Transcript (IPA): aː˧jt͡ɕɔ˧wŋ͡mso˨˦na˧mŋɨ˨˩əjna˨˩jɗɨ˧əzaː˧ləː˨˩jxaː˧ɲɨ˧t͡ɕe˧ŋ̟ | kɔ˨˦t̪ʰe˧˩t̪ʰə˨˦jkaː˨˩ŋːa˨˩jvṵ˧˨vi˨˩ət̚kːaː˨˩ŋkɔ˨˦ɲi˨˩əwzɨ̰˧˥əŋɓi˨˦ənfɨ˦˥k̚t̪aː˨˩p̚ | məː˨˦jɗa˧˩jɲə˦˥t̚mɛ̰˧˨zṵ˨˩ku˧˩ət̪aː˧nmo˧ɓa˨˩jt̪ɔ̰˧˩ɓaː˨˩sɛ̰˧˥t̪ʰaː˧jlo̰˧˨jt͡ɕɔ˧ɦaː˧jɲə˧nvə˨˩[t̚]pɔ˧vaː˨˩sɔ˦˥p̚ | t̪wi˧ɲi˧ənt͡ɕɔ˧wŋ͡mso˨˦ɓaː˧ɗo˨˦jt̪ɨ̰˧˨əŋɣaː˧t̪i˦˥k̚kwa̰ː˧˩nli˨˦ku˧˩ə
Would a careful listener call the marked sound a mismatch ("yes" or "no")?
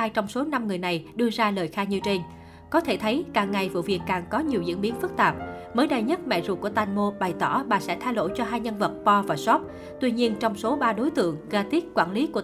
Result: no